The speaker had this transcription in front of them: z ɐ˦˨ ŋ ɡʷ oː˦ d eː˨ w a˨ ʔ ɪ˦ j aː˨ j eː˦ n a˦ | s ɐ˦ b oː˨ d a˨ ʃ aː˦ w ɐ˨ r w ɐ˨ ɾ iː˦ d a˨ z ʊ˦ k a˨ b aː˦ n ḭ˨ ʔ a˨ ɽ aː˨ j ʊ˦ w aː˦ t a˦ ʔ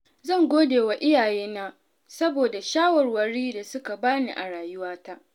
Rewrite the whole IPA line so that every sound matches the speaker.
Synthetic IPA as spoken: z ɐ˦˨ ŋ ɡʷ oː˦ d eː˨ w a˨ ʔ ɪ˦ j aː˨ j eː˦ n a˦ | s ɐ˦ b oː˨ d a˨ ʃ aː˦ w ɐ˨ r w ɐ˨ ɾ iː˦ d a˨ s ʊ˦ k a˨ b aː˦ n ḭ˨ ʔ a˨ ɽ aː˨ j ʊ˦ w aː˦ t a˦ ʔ